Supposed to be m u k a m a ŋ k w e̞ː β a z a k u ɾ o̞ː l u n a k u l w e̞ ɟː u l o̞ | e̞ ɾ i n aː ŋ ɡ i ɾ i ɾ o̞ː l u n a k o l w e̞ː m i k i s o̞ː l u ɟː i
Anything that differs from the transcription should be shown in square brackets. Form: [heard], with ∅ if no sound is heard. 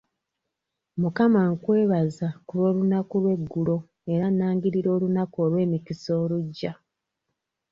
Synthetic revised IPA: m u k a m a ŋ k w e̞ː β a z a k u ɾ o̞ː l u n a k u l w e̞ [ɡː] u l o̞ | e̞ ɾ [a] n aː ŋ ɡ i ɾ i ɾ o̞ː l u n a k o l w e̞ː m i k i s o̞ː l u ɟː [a]